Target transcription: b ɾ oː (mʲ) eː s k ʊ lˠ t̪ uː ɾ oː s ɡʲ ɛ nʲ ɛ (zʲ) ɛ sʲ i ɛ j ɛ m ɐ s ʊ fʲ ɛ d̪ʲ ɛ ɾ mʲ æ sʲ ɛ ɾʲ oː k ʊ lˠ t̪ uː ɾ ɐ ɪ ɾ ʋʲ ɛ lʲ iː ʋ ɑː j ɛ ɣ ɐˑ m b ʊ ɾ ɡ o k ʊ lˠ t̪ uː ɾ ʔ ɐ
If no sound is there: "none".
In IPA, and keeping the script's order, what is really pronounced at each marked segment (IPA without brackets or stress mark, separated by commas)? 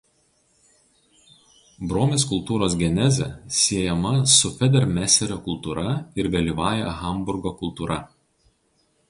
mʲ, zʲ